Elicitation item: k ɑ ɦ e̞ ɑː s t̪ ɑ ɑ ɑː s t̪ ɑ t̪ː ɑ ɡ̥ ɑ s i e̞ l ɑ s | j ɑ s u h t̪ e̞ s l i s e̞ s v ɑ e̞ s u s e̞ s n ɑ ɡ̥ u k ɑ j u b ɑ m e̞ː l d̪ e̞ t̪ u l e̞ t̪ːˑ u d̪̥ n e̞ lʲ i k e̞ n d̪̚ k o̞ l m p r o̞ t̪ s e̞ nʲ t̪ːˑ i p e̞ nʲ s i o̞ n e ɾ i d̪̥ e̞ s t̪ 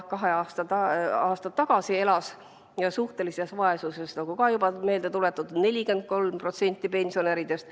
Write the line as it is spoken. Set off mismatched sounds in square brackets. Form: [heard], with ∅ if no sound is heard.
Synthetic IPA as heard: k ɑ ɦ e̞ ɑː s t̪ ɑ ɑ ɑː s t̪ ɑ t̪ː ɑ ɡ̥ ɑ s i e̞ l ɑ s | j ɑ s u h t̪ e̞ [∅] l i s e̞ s v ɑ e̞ s u s e̞ s n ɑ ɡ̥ u k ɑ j u b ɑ m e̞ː l d̪ e̞ t̪ u l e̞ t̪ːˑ u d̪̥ n e̞ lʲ i k e̞ n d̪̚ k o̞ l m p r o̞ t̪ s e̞ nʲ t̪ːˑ i p e̞ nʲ s i o̞ n e ɾ i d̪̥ e̞ s t̪